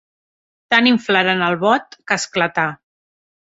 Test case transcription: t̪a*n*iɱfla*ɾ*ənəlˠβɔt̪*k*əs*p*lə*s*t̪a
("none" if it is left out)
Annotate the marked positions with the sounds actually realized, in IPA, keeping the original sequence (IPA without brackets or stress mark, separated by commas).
n, ɾ, k, k, none